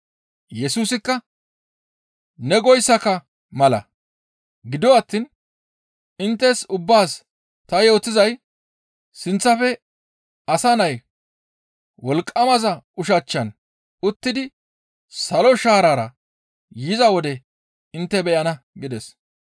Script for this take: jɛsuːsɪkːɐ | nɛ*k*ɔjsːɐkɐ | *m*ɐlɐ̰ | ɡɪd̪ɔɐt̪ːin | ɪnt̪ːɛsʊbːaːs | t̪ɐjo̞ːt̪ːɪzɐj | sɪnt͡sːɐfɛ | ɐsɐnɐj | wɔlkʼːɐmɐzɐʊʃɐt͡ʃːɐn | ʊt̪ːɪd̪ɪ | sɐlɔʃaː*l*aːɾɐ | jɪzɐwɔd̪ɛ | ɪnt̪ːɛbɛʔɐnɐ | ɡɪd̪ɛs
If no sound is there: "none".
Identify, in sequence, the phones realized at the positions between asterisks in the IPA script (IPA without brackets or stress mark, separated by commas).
ɡ, m, ɾ